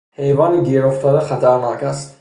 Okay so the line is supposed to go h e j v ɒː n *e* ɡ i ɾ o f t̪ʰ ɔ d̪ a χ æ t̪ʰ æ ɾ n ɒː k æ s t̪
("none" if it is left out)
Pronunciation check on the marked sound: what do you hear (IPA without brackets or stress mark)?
i